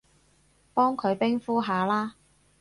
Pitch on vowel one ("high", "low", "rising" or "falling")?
high